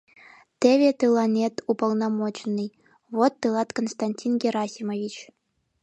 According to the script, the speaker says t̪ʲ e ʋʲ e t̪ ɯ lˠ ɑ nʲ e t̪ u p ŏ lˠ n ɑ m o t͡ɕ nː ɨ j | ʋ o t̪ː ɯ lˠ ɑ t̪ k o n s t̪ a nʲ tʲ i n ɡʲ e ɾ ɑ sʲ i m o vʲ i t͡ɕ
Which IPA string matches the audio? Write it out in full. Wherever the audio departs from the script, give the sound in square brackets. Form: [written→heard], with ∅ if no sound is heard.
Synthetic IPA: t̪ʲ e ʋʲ e t̪ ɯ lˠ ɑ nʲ e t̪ u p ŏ lˠ n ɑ m o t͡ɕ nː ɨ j | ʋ o t̪ː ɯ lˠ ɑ t̪ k o n s t̪ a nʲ tʲ i n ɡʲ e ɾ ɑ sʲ i m o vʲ i t͡ɕ